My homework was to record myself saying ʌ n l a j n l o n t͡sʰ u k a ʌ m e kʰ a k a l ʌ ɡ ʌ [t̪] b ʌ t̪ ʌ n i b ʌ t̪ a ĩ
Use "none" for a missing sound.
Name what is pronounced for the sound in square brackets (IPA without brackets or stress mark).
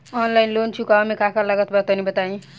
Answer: t̪